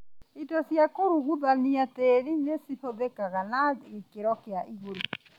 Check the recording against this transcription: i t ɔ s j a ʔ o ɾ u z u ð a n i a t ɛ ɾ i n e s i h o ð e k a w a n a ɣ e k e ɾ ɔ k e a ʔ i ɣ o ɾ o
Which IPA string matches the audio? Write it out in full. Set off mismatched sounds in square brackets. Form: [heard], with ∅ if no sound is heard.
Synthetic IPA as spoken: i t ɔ s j a [k] o ɾ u [ɣ] u ð a n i a t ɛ ɾ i n e s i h o ð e k a [ɣ] a n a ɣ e k e ɾ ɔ k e a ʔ i ɣ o ɾ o